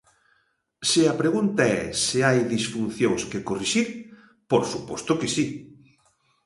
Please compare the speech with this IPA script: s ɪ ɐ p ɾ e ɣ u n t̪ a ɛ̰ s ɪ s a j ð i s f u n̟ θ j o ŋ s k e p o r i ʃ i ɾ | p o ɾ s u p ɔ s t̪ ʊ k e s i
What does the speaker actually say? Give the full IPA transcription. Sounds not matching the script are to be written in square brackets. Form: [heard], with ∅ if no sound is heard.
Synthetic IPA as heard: s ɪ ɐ p ɾ e ɣ u n t̪ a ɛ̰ s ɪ [∅] a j ð i s f u n̟ θ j o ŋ s k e [k] o r i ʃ i ɾ | p o ɾ s u p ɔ s t̪ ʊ k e s i